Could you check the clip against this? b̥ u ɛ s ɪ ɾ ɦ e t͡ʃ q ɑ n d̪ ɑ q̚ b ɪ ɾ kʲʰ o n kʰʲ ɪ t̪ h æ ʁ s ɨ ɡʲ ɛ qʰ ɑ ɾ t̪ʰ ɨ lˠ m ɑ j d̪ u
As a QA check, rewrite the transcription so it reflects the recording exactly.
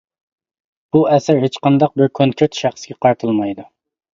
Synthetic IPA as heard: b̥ u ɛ s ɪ ɾ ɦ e t͡ʃ q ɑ n d̪ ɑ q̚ b ɪ ɾ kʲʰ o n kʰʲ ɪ t̪ ʃ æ χ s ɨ ɡʲ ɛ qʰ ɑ ɾ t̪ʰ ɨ lˠ m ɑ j d̪ u

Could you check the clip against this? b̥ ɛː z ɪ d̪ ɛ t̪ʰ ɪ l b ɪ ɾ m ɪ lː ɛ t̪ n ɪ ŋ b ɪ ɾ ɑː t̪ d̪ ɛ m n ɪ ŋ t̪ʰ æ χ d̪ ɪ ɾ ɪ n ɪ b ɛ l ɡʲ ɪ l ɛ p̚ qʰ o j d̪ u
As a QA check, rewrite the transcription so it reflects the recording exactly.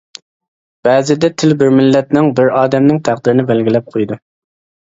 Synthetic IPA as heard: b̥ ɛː z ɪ d̪ ɛ t̪ʰ ɪ l b ɪ ɾ m ɪ lː ɛ t̪ n ɪ ŋ b ɪ ɾ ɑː d̪ ɛ m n ɪ ŋ t̪ʰ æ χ d̪ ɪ ɾ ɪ n ɪ b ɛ l ɡʲ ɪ l ɛ p̚ qʰ o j d̪ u

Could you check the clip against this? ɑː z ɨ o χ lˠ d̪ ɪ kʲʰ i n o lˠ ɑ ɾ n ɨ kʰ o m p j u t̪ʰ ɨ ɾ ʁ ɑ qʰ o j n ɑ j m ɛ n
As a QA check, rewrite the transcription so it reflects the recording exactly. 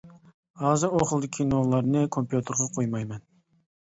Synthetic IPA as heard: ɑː z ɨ o χ lˠ d̪ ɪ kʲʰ i n o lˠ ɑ ɾ n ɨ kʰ o m p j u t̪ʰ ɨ ɾ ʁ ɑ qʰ o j m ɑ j m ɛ n

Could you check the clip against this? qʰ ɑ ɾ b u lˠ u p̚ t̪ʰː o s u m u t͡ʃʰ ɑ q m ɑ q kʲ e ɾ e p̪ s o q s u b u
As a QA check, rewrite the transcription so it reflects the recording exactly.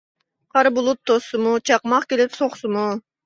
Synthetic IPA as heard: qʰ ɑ ɾ b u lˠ u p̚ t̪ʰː o s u m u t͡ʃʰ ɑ q m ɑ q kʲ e l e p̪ s o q s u m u

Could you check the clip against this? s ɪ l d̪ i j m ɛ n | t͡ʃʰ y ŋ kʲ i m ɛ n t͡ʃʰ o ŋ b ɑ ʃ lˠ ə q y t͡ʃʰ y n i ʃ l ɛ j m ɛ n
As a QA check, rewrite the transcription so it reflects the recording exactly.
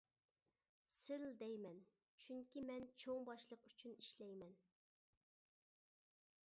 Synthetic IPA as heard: s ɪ l d̪ ɛ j m ɛ n | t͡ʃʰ y ŋ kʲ i m ɛ n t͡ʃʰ o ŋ b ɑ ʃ lˠ ə q y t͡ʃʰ y n i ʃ l ɛ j m ɛ n

